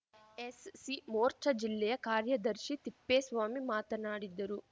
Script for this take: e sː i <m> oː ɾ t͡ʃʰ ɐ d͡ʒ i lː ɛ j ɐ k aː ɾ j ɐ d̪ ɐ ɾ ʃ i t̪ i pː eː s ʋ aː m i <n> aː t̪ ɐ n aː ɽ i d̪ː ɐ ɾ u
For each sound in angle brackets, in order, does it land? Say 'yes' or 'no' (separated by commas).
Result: yes, no